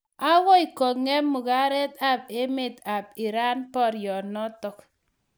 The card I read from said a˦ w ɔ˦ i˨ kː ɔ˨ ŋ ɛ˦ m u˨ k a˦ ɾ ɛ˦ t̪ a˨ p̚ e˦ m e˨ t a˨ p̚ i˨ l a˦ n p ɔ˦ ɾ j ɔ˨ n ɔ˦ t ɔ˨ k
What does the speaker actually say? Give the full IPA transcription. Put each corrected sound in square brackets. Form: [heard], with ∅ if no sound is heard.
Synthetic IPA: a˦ w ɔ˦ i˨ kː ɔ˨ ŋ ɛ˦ m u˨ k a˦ ɾ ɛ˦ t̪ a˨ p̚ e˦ m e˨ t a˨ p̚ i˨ [ɾ] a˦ n p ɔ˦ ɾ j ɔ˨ n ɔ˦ t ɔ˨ k

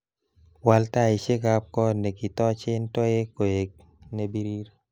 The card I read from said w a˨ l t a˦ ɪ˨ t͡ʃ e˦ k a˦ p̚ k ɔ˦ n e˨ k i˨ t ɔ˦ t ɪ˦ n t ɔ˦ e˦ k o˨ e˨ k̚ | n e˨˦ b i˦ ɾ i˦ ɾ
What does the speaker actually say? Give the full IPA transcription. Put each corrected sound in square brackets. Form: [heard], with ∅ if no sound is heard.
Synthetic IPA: w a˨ l t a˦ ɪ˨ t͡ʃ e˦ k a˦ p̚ k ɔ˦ n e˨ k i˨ t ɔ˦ [t͡ʃ] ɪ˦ n t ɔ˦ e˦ k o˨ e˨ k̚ | n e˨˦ b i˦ ɾ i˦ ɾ

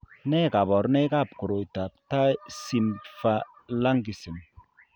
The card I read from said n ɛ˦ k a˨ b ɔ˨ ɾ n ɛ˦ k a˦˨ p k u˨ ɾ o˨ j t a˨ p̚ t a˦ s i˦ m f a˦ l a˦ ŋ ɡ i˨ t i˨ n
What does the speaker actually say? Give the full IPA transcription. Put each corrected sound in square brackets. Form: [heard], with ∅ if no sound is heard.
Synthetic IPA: n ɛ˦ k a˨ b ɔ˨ ɾ n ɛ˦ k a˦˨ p k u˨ ɾ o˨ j t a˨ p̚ t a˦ s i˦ m f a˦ l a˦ ŋ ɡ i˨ [s] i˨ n

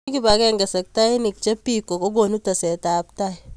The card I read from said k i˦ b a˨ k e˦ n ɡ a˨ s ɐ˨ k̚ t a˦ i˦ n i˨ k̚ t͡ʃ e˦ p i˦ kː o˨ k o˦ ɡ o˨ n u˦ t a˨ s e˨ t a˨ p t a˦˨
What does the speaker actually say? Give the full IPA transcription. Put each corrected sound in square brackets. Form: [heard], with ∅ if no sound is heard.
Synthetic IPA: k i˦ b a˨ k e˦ [ŋ] ɡ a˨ s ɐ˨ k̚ t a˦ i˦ n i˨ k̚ t͡ʃ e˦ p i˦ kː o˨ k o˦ ɡ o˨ n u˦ t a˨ s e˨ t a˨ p t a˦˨

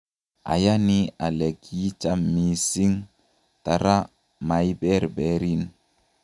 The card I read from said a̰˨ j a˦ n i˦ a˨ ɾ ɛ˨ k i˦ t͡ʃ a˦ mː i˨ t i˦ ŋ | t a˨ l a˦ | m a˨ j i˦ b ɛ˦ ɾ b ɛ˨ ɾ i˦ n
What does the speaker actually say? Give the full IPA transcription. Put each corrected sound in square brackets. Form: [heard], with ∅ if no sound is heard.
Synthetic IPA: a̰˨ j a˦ n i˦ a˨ [l] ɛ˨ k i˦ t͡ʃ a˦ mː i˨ [s] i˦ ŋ | t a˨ [ɾ] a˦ | m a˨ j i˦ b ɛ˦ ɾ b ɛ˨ ɾ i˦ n

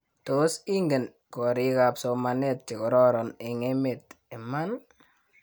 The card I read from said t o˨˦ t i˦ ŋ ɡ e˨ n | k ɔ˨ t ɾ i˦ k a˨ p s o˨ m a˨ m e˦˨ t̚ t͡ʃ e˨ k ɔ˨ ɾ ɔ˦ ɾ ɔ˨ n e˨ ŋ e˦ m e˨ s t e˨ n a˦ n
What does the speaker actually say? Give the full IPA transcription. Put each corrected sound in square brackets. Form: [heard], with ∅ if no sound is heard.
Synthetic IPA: t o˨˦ [s] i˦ ŋ ɡ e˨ n | k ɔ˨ [∅] ɾ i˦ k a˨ p s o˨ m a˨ [n] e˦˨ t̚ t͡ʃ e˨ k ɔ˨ ɾ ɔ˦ ɾ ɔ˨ n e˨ ŋ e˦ m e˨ [∅] t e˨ [m] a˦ n

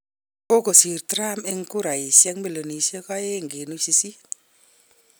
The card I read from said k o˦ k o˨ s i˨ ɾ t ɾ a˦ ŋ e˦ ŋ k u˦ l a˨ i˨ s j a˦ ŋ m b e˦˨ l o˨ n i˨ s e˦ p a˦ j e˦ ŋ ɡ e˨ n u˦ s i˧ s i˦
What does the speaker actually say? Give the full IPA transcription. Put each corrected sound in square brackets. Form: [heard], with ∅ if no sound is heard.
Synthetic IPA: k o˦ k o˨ s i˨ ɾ t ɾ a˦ [m] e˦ ŋ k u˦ [ɾ] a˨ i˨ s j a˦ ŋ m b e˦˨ l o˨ n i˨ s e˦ [k] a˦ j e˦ ŋ ɡ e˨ n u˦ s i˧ s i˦

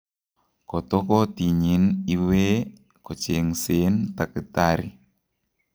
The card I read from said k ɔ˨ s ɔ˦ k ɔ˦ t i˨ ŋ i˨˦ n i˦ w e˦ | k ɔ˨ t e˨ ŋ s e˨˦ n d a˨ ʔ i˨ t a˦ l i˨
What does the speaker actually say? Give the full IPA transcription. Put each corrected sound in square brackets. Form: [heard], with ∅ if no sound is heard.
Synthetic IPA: k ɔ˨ [t] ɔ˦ k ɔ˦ t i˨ [ɲ] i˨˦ n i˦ w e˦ | k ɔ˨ [t͡ʃ] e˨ ŋ s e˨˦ n [t] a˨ [k] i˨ t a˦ [ɾ] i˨

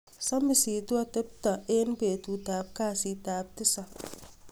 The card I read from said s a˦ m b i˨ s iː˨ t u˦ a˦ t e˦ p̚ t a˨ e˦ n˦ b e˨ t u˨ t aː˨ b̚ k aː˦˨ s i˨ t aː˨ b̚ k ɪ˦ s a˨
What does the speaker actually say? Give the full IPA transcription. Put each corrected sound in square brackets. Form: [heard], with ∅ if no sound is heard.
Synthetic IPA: s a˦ m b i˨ s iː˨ t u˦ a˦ t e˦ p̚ t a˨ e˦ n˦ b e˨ t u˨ t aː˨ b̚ k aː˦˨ s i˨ t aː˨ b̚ [t] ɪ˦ s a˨

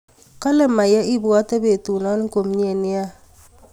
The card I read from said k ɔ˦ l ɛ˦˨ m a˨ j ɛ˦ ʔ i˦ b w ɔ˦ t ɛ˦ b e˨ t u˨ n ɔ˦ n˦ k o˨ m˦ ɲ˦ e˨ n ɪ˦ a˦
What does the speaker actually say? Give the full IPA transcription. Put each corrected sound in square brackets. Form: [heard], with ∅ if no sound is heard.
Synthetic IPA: k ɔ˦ l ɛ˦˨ m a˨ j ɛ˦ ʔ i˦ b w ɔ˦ t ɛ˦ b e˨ t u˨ n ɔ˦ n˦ k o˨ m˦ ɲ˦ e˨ n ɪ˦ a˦

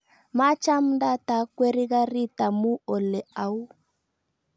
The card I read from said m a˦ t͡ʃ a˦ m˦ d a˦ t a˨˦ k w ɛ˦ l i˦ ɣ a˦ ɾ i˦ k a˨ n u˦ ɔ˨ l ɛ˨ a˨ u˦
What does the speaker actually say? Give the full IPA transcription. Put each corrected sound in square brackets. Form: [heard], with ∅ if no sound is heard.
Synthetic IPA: m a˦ t͡ʃ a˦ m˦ d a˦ t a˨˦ k w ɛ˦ [ɾ] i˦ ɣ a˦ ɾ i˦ [t] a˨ [m] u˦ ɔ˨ l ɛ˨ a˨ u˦

